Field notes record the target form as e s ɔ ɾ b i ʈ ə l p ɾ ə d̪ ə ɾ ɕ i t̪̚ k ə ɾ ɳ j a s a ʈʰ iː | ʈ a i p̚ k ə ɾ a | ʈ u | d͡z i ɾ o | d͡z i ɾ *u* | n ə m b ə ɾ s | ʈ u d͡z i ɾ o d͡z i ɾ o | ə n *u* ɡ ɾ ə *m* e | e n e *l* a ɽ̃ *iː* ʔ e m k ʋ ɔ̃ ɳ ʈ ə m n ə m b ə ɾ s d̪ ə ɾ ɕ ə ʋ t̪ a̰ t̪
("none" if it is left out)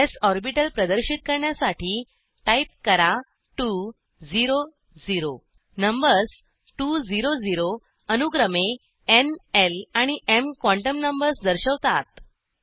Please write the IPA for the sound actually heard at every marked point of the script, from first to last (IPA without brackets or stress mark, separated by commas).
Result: o, u, m, l, i